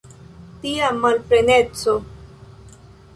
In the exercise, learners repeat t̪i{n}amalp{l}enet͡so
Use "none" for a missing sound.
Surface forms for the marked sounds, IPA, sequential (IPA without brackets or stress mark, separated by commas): none, ɾ